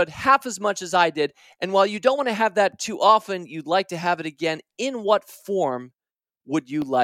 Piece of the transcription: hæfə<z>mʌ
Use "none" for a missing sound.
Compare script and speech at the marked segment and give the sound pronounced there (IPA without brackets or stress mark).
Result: z